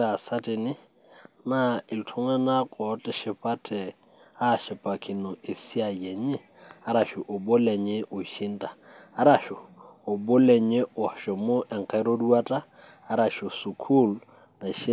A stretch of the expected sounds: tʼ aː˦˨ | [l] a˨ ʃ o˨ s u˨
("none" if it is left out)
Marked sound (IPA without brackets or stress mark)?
ɾ